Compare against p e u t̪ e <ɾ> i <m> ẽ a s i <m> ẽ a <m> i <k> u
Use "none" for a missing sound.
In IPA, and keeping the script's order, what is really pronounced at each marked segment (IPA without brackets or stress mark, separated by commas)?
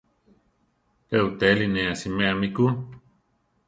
l, n, m, m, k